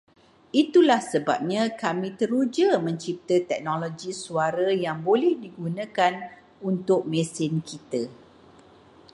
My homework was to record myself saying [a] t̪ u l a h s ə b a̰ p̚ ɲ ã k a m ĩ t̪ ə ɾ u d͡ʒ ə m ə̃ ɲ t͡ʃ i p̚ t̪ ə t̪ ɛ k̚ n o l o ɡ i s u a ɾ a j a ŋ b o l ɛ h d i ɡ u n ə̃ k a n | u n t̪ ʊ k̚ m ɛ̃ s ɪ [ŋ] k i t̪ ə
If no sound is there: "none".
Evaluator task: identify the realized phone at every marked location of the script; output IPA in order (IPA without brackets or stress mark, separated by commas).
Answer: i, n